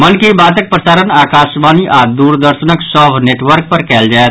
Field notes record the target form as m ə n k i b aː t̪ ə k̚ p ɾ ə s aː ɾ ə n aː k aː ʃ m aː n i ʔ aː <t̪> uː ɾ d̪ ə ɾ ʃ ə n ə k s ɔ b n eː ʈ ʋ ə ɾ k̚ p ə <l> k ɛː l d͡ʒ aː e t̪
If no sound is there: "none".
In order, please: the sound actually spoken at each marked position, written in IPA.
d̪, ɾ

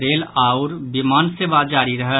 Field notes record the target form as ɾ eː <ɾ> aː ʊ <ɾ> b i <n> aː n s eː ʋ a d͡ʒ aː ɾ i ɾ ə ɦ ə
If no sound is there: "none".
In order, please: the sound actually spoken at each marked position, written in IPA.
l, ɾ, m

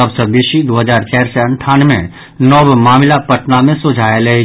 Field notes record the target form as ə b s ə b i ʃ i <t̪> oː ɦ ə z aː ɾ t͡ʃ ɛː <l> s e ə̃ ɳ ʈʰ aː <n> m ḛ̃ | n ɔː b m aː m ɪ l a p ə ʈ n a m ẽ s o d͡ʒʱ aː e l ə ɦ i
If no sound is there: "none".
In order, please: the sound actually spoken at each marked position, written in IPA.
d̪, ɾ, n

